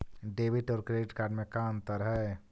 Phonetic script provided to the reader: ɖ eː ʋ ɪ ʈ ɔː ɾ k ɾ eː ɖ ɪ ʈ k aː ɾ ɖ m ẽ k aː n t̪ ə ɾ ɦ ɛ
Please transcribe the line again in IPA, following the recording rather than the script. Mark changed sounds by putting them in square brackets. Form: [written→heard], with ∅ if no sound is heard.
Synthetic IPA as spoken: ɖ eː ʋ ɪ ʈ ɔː ɾ k ɾ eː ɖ ɪ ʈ k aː ɾ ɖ m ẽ k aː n t̪ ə ɾ ɦ ɛ